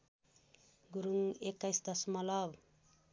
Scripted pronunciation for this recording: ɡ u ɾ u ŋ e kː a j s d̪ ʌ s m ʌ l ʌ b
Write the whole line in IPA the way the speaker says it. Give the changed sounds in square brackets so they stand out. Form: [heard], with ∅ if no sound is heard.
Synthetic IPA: ɡ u ɾ u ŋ e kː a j s d̪ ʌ s m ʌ l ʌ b